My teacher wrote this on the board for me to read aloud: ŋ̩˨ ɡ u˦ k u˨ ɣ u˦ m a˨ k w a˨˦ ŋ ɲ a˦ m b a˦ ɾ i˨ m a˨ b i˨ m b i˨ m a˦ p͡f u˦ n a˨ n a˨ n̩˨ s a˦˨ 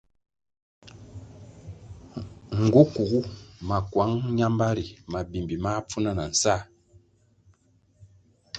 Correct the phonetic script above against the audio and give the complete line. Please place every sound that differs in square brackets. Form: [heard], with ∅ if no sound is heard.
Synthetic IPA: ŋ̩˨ ɡ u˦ k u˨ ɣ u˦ m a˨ k w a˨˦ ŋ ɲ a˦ m b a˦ ɾ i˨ m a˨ b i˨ m b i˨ m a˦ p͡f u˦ n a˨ n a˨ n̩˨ s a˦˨